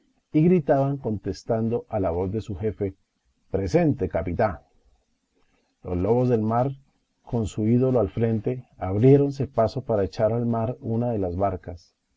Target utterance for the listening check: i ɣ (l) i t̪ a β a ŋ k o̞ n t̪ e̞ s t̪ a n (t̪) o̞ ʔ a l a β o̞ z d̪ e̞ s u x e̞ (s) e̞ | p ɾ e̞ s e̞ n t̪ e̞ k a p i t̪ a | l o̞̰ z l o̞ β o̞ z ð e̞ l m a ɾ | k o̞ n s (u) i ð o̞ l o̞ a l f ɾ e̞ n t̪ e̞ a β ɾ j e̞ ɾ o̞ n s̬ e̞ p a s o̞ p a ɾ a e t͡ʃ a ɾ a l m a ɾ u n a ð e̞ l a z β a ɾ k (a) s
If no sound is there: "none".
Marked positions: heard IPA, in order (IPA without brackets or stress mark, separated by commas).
ɾ, d̪, f, u, a